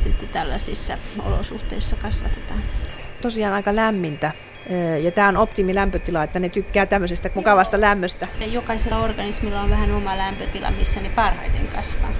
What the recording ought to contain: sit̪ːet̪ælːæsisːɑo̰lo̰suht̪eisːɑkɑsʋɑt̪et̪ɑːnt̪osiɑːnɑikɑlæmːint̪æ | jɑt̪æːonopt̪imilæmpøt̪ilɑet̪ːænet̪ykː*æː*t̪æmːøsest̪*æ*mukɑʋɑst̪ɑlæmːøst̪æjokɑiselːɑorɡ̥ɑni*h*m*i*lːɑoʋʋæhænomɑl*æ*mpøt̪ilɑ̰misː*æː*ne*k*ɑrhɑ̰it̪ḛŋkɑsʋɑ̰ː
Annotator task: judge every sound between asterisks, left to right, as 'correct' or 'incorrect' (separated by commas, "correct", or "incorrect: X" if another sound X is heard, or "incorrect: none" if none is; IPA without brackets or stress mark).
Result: correct, correct, incorrect: s, correct, correct, incorrect: æ, incorrect: p